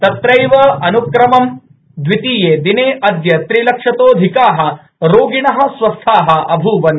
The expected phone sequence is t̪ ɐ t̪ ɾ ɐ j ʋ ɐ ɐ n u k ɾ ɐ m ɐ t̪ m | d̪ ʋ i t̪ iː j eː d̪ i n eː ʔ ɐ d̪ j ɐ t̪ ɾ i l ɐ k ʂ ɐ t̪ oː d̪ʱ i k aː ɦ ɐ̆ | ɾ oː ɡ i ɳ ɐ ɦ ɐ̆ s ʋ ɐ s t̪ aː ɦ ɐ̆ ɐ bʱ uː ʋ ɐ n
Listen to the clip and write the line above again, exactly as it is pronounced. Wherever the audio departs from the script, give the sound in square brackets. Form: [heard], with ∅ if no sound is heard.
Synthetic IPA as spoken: t̪ ɐ t̪ ɾ ɐ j ʋ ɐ ɐ n u k ɾ ɐ m ɐ [∅] m | d̪ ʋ i t̪ iː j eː d̪ i n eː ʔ ɐ d̪ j ɐ t̪ ɾ i l ɐ k ʂ ɐ t̪ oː d̪ʱ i k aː ɦ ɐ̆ | ɾ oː ɡ i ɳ ɐ ɦ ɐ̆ s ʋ ɐ s [t̪ʰ] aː ɦ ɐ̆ ɐ bʱ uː ʋ ɐ n